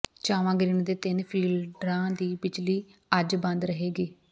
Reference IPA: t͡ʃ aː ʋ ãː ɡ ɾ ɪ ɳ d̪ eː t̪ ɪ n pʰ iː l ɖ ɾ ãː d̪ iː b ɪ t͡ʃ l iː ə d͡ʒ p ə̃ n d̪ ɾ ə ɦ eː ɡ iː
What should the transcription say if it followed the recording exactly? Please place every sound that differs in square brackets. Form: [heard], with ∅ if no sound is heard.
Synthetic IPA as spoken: t͡ʃ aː ʋ ãː ɡ ɾ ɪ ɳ d̪ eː t̪ ɪ n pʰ iː l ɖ ɾ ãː d̪ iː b ɪ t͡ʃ l iː ə d͡ʒ [b] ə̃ n d̪ ɾ ə ɦ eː ɡ iː